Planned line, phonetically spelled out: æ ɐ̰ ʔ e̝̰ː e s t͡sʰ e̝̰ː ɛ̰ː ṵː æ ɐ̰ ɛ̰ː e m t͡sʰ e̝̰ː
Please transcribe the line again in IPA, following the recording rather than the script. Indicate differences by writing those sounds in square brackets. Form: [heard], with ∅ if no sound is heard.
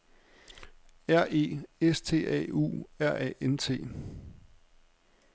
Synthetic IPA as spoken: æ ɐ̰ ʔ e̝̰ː e s t͡sʰ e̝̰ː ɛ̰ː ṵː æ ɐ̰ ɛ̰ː e [n] t͡sʰ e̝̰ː